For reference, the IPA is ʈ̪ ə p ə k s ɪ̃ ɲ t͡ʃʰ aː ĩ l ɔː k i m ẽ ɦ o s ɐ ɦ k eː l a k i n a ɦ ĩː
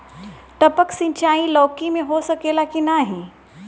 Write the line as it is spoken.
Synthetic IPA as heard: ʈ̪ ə p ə k s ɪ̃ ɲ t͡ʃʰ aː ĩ l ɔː k i m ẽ ɦ o s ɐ k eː l a k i n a ɦ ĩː

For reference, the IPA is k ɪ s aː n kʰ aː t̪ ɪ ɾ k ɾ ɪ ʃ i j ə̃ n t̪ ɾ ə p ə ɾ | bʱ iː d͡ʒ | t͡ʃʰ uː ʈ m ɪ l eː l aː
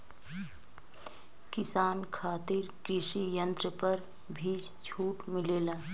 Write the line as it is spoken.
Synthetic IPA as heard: k ɪ s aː n kʰ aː t̪ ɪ ɾ k ɾ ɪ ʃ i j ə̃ n t̪ ɾ ə p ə ɾ | bʱ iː d͡ʒ | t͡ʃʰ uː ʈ m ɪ l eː l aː

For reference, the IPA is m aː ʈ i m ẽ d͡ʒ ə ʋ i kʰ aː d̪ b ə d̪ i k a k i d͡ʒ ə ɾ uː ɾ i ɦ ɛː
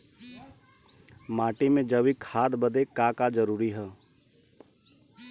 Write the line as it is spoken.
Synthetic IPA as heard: m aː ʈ i m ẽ d͡ʒ ə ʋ i kʰ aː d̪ b ə d̪ e k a k a d͡ʒ ə ɾ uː ɾ i ɦ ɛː

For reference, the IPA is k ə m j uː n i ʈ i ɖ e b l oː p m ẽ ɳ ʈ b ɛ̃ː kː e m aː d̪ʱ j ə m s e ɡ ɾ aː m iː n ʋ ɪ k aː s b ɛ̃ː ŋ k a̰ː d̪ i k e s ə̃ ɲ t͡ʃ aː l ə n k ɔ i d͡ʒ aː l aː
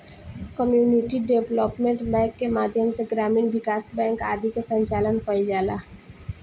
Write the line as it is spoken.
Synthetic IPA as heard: k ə m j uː n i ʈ i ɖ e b l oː p m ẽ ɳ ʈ b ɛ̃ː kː e m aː d̪ʱ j ə m s e ɡ ɾ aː m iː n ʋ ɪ k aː s b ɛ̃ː ŋ k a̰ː d̪ i k e s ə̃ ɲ t͡ʃ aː l ə n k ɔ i d͡ʒ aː l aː

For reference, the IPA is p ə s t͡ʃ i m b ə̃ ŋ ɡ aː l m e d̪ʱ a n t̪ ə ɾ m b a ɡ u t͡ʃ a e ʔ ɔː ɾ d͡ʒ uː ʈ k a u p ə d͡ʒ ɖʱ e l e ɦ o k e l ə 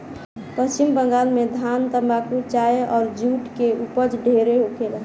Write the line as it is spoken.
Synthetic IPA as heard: p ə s t͡ʃ i m b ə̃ ŋ ɡ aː l m e d̪ʱ a n t̪ ə m b a k u t͡ʃ a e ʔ ɔː ɾ d͡ʒ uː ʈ k e u p ə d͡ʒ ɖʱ e ɾ e ɦ o k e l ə

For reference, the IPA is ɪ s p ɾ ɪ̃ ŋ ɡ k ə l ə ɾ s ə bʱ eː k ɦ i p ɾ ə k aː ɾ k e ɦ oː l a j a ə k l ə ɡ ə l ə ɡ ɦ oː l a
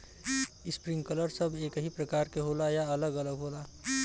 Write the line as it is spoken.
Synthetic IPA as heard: ɪ s p ɾ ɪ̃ ŋ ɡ k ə l ə ɾ s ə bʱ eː k ɦ i p ɾ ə k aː ɾ k e ɦ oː l a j a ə l ə ɡ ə l ə ɡ ɦ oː l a

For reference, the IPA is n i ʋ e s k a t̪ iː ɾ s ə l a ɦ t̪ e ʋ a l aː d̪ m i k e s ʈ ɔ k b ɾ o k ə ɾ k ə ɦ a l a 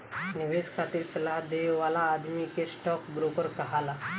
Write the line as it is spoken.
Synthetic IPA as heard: n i ʋ e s kʰ a t̪ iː ɾ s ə l a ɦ d̪ e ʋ a l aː d̪ m i k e s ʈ ɔ k b ɾ o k ə ɾ k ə ɦ a l a

